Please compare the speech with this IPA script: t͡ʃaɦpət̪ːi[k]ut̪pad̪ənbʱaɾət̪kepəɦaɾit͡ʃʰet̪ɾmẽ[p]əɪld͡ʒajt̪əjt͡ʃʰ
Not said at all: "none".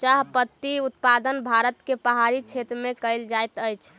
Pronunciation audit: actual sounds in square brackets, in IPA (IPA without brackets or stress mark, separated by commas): none, k